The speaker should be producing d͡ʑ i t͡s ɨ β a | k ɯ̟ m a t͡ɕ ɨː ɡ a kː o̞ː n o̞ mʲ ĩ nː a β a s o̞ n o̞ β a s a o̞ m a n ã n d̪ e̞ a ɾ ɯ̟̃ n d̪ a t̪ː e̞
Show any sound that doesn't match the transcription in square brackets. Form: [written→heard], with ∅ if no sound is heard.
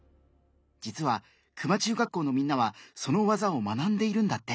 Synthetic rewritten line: d͡ʑ i t͡s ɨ β a | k ɯ̟ m a t͡ɕ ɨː ɡ a kː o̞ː n o̞ mʲ ĩ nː a β a s o̞ n o̞ β a [s→z] a o̞ m a n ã n d̪ e̞ [a→i] ɾ ɯ̟̃ n d̪ a t̪ː e̞